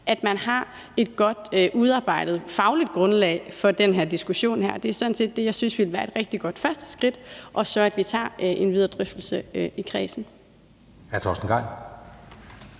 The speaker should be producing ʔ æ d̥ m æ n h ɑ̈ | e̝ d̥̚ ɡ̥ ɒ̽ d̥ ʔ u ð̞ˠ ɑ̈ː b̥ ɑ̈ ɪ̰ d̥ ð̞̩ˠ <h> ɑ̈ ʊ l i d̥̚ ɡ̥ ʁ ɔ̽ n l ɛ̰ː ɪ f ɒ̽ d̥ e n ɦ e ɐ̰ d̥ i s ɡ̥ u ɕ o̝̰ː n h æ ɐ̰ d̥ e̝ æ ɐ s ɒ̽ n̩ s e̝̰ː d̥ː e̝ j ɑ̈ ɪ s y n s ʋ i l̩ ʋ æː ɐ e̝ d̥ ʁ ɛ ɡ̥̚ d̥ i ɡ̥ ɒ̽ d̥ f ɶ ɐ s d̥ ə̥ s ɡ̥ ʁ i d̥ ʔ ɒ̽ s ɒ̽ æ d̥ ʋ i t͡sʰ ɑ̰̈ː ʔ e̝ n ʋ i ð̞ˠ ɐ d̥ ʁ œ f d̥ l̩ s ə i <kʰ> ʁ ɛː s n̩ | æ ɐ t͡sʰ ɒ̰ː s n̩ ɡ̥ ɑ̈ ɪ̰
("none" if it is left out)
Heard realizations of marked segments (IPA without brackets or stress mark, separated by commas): f, kʰ